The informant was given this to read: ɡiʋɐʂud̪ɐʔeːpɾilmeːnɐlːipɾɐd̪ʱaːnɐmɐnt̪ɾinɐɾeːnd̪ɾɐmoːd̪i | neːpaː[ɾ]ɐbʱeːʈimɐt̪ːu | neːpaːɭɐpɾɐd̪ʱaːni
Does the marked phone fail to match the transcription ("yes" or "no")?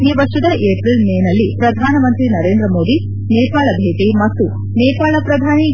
yes